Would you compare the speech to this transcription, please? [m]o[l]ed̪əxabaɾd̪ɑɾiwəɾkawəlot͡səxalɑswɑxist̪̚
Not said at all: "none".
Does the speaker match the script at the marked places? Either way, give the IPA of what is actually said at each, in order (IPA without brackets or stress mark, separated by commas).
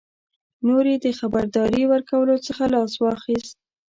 n, ɾ